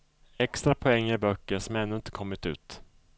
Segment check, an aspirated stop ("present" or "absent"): present